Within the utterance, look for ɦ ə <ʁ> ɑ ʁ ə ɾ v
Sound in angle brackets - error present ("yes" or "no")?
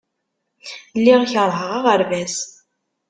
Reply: no